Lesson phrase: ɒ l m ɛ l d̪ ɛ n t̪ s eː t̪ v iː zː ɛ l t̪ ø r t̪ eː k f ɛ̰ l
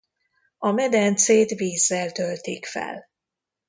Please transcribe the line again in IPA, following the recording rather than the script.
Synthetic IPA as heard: ɒ m ɛ d̪ ɛ n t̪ s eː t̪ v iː zː ɛ l t̪ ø l t̪ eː k f ɛ̰ l